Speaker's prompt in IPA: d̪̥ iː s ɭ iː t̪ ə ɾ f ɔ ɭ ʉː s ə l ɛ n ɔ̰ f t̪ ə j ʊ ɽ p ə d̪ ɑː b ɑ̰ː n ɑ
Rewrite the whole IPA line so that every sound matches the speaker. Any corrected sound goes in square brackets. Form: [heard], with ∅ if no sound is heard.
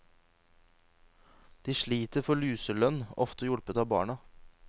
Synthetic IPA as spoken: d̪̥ iː [ʃ] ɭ iː t̪ ə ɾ f ɔ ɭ ʉː s ə l [œ] n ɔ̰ f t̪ ə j ʊ ɽ p ə [t̪] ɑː b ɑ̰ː [ɳ] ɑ